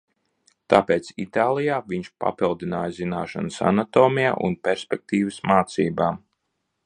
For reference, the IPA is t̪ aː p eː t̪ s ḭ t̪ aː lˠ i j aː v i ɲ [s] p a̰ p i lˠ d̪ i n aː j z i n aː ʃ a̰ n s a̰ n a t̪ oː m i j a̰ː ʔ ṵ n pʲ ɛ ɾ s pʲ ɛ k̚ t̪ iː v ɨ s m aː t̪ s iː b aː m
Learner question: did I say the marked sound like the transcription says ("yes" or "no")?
no